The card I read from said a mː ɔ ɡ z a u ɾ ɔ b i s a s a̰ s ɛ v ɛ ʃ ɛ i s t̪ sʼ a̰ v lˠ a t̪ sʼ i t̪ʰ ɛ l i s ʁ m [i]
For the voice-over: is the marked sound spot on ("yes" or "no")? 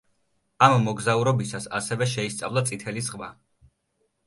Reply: no